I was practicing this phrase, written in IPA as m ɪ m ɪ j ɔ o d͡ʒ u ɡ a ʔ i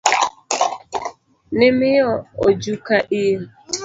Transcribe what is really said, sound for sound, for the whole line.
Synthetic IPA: n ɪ m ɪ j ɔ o d͡ʒ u k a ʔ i